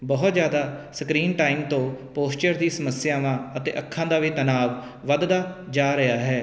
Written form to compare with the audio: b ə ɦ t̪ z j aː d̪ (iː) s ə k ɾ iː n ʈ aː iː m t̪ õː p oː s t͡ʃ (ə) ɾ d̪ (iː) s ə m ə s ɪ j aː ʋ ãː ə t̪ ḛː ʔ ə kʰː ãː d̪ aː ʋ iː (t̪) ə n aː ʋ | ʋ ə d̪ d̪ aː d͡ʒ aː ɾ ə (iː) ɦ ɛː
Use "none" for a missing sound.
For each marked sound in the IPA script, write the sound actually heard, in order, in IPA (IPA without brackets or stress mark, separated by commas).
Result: aː, ə, iː, t̪, aː